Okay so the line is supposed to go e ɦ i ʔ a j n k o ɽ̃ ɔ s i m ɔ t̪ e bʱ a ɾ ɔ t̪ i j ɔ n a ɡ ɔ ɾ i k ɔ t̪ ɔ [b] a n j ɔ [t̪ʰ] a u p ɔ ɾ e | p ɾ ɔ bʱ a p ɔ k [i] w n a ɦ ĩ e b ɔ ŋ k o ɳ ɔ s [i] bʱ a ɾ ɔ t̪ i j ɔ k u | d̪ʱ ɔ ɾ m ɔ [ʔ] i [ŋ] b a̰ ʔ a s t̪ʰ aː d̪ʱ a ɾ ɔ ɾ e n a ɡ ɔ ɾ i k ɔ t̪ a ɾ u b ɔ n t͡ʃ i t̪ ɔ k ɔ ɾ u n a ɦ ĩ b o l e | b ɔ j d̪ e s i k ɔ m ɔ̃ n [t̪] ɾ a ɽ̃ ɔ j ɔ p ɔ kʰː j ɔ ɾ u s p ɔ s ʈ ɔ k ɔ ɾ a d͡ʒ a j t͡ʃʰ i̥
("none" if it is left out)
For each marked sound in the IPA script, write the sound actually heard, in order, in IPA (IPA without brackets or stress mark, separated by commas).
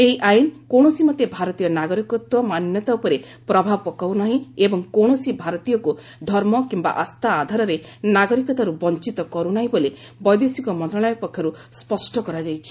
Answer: m, t̪, a, i, k, m, t̪